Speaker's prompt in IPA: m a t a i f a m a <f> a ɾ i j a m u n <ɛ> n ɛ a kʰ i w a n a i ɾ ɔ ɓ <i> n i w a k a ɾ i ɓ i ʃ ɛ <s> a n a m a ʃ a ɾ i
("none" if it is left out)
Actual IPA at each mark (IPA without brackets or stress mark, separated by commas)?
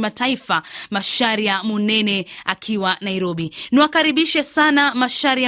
ʃ, ɛ, i, s